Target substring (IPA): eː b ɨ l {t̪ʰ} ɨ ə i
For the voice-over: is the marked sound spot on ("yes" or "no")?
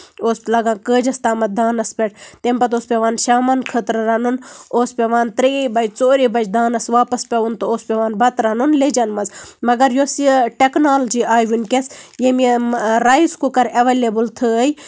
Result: yes